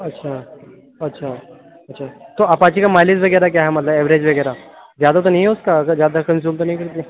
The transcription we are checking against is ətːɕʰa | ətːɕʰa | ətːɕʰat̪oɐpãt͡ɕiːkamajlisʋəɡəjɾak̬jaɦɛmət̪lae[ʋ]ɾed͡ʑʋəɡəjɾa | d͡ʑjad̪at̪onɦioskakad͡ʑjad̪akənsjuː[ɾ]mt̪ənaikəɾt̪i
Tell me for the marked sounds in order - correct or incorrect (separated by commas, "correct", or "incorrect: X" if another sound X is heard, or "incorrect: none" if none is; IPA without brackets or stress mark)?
correct, incorrect: none